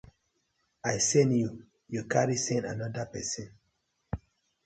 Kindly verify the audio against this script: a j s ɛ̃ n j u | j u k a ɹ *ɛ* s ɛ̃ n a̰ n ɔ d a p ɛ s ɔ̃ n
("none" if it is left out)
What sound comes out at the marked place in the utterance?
i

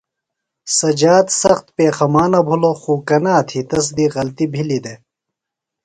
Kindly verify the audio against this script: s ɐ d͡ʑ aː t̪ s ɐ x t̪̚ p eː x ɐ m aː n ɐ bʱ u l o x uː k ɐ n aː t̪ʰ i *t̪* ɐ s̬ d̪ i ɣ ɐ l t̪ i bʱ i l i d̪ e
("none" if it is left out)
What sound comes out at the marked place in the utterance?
t̪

